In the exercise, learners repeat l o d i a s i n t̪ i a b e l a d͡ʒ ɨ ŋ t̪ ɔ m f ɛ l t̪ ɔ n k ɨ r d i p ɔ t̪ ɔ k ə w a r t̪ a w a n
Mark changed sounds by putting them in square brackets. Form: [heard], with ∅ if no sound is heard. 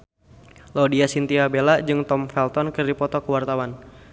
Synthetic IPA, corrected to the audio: l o d i a s i n t̪ i a b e l a d͡ʒ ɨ ŋ t̪ ɔ m f ɛ l t̪ ɔ n k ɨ r d i p ɔ t̪ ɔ k ə w a r t̪ a w a n

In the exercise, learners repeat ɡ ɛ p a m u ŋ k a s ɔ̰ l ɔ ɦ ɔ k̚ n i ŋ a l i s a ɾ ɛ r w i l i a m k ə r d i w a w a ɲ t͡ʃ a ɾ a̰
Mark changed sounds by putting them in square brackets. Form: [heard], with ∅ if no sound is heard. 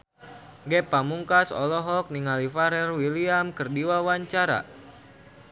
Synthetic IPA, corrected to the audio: ɡ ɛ p a m u ŋ k a s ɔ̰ l ɔ ɦ ɔ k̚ n i ŋ a l i [f] a ɾ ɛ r w i l i a m k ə r d i w a w a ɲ t͡ʃ a ɾ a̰

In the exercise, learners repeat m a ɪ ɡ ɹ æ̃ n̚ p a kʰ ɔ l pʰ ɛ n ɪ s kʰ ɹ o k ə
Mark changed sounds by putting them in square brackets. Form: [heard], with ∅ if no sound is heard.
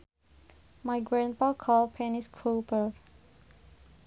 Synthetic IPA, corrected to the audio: m a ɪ ɡ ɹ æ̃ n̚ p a kʰ ɔ l pʰ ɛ n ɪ s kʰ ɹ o [p] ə

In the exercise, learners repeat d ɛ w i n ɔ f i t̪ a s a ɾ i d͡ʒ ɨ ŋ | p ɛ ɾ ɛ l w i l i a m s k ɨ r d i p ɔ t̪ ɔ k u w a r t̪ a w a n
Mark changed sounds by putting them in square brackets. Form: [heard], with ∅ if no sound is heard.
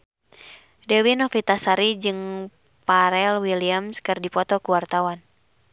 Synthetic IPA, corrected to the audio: d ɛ w i n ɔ f i t̪ a s a ɾ i d͡ʒ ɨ ŋ | p [a] ɾ ɛ l w i l i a m s k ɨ r d i p ɔ t̪ ɔ k u w a r t̪ a w a n

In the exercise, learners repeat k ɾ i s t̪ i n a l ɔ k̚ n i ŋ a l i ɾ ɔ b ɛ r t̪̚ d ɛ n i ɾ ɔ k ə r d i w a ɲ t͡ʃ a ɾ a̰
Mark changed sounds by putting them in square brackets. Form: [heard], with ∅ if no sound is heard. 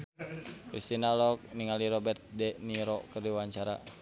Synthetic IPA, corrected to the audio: k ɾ i s t̪ i n a l ɔ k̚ n i ŋ a l i ɾ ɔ b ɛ r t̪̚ d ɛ n i ɾ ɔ k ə r d i w a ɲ t͡ʃ a ɾ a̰

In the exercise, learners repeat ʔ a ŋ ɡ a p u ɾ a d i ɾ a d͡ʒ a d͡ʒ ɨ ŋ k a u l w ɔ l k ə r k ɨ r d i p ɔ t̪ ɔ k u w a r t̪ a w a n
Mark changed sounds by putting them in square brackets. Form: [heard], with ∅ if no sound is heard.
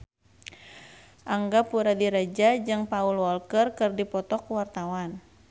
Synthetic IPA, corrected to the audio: ʔ a ŋ ɡ a p u ɾ a d i ɾ a d͡ʒ a d͡ʒ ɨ ŋ [p] a u l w ɔ l k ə r k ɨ r d i p ɔ t̪ ɔ k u w a r t̪ a w a n

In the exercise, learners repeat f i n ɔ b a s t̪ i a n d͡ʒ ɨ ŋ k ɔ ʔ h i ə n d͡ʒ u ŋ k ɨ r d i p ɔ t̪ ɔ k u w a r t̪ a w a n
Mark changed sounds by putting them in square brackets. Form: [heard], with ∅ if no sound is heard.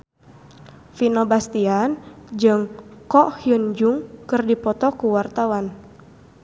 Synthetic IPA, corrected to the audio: f i n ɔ b a s t̪ i a n d͡ʒ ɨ ŋ k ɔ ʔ h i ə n d͡ʒ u ŋ k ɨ r d i p ɔ t̪ ɔ k u w a r t̪ a w a n

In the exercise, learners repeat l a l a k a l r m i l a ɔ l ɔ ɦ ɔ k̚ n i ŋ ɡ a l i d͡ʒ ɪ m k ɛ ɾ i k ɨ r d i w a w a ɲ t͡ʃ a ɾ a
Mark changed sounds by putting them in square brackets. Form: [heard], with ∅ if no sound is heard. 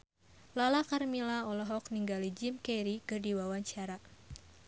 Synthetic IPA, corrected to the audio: l a l a k a [∅] r m i l a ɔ l ɔ ɦ ɔ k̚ n i ŋ ɡ a l i d͡ʒ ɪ m k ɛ ɾ i k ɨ r d i w a w a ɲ t͡ʃ a ɾ a

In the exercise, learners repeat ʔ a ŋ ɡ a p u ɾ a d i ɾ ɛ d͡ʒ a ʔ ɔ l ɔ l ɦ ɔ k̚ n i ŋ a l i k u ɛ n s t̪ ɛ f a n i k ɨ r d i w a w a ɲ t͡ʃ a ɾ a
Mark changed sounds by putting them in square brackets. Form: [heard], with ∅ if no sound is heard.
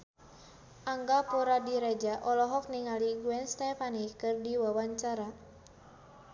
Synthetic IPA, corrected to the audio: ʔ a ŋ ɡ a p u ɾ a d i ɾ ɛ d͡ʒ a ʔ ɔ l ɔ [∅] ɦ ɔ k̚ n i ŋ a l i [ɡ] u ɛ n s t̪ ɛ f a n i k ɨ r d i w a w a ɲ t͡ʃ a ɾ a

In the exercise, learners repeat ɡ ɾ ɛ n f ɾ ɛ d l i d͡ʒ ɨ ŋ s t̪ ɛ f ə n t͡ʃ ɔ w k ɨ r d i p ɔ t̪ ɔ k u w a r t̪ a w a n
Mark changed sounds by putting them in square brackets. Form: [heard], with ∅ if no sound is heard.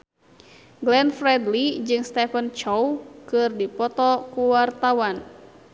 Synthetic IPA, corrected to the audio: ɡ [l] ɛ n f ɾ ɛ d l i d͡ʒ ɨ ŋ s t̪ ɛ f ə n t͡ʃ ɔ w k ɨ r d i p ɔ t̪ ɔ k u w a r t̪ a w a n

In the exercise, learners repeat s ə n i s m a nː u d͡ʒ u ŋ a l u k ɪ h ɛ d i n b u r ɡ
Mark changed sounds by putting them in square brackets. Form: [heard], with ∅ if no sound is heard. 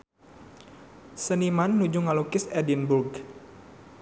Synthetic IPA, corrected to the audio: s ə n i [∅] m a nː u d͡ʒ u ŋ a l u k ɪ [s] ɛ d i n b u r ɡ

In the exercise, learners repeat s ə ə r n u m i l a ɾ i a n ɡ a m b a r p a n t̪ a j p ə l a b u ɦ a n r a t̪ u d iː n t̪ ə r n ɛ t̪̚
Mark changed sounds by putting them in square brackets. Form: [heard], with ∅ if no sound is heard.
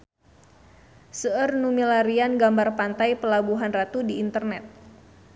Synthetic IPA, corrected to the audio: s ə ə r n u m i l a ɾ i a n ɡ a m b a r p a n t̪ a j p ə l a b u ɦ a n r a t̪ u d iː n t̪ ə r n ɛ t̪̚

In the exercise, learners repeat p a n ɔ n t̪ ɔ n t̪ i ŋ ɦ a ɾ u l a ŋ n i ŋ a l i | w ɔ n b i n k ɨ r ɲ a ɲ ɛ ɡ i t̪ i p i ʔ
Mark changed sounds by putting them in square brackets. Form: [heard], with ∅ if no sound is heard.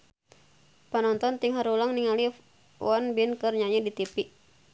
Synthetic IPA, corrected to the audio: p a n ɔ n t̪ ɔ n t̪ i ŋ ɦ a ɾ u l a ŋ n i ŋ a l i | w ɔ n b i n k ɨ r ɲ a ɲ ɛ [d] i t̪ i p i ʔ

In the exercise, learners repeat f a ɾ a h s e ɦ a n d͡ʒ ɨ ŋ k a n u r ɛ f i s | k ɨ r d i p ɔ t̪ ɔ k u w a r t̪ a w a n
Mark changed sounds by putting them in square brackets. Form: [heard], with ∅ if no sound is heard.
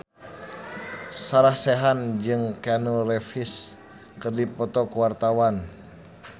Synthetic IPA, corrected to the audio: [s] a ɾ a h s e ɦ a n d͡ʒ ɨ ŋ k a n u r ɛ f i s | k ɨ r d i p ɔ t̪ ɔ k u w a r t̪ a w a n

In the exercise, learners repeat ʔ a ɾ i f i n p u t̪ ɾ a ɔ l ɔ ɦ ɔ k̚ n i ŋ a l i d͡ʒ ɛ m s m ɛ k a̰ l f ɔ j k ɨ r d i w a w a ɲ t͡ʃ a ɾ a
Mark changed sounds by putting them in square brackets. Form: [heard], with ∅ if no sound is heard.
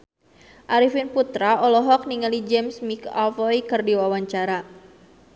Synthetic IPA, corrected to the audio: ʔ a ɾ i f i n p u t̪ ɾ a ɔ l ɔ ɦ ɔ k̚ n i ŋ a l i d͡ʒ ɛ m s m [i] k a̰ l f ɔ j k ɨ r d i w a w a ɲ t͡ʃ a ɾ a

